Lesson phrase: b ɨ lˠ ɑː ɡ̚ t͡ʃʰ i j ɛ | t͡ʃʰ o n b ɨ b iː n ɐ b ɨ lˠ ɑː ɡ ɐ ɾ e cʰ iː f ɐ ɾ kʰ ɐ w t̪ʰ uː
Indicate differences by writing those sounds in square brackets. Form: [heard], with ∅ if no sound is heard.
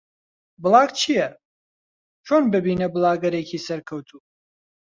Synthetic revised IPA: b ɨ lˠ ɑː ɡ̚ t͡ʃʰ i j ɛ | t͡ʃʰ o n b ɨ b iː n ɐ b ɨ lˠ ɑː ɡ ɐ ɾ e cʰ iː [s] ɐ ɾ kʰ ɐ w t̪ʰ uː